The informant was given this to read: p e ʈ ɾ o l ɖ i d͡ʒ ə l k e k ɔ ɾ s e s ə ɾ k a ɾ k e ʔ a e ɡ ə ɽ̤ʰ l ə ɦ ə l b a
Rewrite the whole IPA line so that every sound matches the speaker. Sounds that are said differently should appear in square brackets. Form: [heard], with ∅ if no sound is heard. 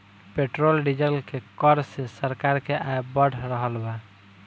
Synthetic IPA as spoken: p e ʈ ɾ o l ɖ i d͡ʒ ə l k e k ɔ ɾ s e s ə ɾ k a ɾ k e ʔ a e [b] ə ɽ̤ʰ [ɾ] ə ɦ ə l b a

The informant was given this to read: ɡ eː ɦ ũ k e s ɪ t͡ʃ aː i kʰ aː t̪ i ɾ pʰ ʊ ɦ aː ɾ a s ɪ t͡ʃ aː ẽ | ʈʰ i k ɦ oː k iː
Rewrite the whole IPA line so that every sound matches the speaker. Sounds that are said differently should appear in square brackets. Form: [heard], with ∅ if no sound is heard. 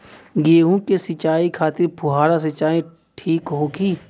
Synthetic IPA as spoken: ɡ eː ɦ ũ k e s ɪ t͡ʃ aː i kʰ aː t̪ [ɪ] ɾ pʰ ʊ ɦ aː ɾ a s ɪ t͡ʃ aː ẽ | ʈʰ [iː] k ɦ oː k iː

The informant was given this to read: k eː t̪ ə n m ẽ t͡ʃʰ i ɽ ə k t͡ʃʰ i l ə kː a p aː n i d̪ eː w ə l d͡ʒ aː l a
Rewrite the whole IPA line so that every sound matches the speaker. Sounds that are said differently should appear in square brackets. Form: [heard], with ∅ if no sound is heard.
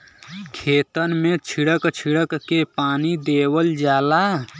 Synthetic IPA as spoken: [kʰ] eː t̪ ə n m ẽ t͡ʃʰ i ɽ ə k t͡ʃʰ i [ɽ] ə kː [e] p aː n i d̪ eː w ə l d͡ʒ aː l a

